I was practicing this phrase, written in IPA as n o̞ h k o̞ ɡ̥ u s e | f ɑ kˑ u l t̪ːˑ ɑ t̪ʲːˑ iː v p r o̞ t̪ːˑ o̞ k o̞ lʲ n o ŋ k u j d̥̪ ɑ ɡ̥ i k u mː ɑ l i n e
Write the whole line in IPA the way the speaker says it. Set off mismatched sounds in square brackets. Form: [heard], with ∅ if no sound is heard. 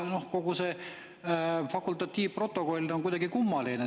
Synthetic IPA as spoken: n o̞ h k o̞ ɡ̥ u s e | f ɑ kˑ u l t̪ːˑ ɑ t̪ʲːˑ iː v p r o̞ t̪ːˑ o̞ k o̞ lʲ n o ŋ k u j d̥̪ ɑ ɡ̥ i k u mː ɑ l i n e